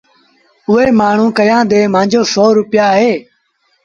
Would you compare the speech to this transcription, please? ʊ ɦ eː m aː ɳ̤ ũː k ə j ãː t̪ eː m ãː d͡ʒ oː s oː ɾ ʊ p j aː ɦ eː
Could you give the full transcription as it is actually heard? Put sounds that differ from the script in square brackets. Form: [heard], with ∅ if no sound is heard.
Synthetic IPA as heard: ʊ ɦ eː m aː ɳ̤ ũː k ə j ãː [d̪] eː m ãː d͡ʒ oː s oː ɾ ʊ p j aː ɦ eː